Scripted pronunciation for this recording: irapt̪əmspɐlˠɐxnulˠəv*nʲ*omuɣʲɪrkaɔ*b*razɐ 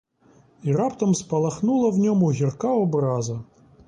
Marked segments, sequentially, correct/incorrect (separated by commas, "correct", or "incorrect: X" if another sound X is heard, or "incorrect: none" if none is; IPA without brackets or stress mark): correct, correct